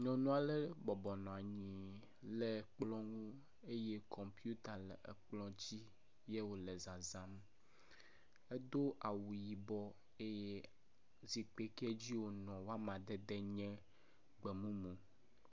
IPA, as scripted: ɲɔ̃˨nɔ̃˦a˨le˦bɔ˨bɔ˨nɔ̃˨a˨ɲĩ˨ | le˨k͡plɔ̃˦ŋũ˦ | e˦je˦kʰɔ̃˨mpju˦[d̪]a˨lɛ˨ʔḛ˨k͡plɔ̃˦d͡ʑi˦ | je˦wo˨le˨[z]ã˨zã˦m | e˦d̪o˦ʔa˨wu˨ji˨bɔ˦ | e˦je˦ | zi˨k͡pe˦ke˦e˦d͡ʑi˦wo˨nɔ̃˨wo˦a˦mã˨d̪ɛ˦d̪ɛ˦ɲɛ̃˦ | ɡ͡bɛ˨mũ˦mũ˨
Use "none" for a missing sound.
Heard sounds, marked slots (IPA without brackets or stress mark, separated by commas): t̪, z